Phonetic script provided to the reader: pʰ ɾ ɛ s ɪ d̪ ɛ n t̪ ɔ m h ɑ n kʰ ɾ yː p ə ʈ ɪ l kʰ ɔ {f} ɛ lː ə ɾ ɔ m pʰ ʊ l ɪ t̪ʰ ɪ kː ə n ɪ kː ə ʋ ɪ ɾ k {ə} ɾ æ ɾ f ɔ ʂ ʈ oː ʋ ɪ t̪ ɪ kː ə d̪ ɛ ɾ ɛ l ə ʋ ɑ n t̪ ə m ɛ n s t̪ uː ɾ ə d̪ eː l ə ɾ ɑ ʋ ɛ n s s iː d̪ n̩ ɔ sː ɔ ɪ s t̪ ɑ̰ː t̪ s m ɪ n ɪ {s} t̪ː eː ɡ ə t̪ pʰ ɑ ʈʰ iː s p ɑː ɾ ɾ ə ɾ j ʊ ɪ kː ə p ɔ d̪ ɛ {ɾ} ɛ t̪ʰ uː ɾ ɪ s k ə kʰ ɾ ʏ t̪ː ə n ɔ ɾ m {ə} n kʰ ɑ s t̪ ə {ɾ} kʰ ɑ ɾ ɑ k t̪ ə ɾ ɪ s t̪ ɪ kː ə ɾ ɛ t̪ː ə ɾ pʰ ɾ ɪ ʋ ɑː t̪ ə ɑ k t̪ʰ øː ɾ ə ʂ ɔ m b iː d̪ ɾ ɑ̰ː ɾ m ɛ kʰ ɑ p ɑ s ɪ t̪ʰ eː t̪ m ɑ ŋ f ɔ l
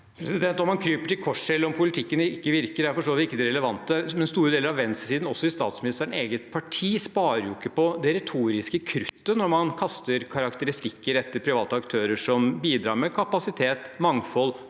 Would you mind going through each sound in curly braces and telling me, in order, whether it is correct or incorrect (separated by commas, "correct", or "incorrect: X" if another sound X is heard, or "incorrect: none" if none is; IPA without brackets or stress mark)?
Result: incorrect: ʂ, correct, correct, correct, incorrect: ɑ, correct